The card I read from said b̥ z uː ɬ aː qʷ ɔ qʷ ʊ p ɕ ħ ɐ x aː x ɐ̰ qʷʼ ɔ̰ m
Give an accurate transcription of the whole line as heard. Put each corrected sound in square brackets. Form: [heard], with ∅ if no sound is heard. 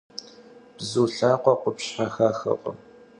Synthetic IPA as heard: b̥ z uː ɬ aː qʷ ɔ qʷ ʊ p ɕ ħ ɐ x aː x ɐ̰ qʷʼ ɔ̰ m

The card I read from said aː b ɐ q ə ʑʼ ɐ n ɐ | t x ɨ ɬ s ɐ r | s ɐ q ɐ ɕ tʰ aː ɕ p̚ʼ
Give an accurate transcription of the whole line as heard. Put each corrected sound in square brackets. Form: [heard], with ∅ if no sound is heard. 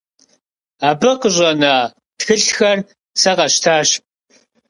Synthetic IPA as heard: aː b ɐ q ə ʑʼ ɐ n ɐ | t x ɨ ɬ [x] ɐ r | s ɐ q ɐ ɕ tʰ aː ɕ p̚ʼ

